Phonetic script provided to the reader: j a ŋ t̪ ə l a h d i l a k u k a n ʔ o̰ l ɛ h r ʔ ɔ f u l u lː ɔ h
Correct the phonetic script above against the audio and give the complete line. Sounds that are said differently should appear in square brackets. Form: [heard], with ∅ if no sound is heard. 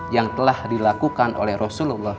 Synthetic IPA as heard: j a ŋ t̪ ə l a h d i l a k u k a n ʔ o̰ l ɛ h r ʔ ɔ [s] u l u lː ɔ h

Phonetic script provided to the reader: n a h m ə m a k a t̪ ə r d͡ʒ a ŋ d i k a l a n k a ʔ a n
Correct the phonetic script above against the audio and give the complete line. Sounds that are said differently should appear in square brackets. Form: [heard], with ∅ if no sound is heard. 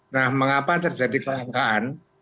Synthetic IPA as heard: n a h m ə [ŋ] a [p] a t̪ ə r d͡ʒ a [∅] d i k [ə] l a [ŋ] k a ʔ a n

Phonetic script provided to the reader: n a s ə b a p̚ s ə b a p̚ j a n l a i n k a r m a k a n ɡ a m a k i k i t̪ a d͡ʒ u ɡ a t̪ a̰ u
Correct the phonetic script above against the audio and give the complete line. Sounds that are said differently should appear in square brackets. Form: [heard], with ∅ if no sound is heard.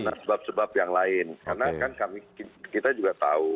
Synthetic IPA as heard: n a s ə b a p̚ s ə b a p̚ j a [ŋ] l a [ɪ] n k a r [n] a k a n [k] a m [i] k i k i t̪ a d͡ʒ u ɡ a t̪ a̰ u

